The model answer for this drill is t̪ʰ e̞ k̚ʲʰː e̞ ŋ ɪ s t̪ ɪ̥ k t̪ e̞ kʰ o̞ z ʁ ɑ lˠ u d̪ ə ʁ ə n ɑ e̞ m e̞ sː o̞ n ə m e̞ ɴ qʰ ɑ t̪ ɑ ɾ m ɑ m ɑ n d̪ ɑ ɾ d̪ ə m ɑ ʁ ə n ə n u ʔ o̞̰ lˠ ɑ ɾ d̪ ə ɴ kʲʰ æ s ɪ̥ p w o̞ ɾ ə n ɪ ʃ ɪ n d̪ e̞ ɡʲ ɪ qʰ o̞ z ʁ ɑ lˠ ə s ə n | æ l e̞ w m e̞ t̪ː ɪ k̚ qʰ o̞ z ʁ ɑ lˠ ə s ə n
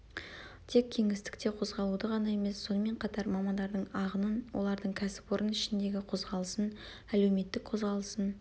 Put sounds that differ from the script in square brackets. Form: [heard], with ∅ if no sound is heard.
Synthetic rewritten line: t̪ʰ e̞ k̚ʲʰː e̞ ŋ ɪ s t̪ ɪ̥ k t̪ e̞ [qʰ] o̞ z ʁ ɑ lˠ u d̪ ə ʁ [ɑ] n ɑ e̞ m e̞ sː o̞ n ə m e̞ ɴ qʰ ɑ t̪ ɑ ɾ m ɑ m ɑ n d̪ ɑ ɾ d̪ ə [ɴ] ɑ ʁ ə n ə n [w] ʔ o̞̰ lˠ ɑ ɾ d̪ ə ɴ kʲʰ æ s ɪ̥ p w o̞ ɾ ə n ɪ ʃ ɪ n d̪ e̞ ɡʲ ɪ qʰ o̞ z ʁ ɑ lˠ ə s ə n | æ l e̞ w m e̞ t̪ː ɪ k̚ qʰ o̞ z ʁ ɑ lˠ ə s ə n